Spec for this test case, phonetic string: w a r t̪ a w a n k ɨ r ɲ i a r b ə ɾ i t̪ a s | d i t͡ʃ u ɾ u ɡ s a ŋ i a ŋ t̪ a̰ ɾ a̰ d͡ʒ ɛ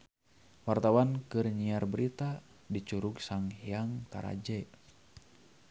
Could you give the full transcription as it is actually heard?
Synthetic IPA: w a r t̪ a w a n k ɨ r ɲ i a r b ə ɾ i t̪ a | d i t͡ʃ u ɾ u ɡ s a ŋ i a ŋ t̪ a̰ ɾ a̰ d͡ʒ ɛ